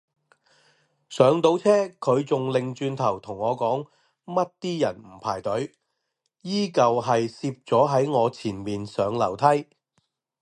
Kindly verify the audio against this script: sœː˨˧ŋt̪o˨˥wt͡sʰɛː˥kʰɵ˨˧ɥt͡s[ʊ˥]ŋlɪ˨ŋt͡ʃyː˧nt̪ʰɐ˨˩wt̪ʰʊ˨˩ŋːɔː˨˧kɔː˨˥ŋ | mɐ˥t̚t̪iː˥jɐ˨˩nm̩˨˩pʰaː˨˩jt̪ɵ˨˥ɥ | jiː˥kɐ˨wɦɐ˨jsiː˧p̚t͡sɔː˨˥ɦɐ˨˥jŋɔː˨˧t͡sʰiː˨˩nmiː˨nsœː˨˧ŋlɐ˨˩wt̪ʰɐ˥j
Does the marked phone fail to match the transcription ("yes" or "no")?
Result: yes